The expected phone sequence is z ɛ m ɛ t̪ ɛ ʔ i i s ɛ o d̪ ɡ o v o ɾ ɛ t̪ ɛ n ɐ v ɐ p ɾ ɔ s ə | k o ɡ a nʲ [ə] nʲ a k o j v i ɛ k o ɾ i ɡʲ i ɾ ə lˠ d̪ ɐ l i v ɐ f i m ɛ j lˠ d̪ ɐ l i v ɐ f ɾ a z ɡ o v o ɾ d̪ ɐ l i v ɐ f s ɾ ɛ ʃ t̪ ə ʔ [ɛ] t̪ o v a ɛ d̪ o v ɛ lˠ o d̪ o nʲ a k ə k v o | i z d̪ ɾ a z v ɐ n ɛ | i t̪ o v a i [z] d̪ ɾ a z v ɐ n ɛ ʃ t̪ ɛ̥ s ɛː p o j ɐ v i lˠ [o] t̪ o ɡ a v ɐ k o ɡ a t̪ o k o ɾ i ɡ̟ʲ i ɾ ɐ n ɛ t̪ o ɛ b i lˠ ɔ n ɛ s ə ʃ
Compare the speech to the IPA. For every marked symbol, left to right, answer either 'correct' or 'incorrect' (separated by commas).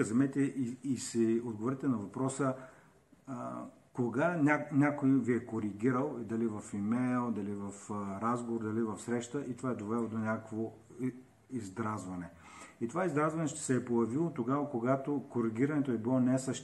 incorrect, incorrect, correct, correct